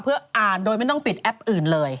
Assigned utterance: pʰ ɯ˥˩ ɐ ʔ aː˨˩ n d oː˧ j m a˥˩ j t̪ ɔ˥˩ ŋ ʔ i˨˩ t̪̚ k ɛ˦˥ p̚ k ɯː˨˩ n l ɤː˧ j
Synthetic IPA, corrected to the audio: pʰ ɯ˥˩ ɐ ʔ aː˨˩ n d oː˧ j m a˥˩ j t̪ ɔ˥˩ ŋ p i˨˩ t̪̚ ʔ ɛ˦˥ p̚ ʔ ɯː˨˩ n l ɤː˧ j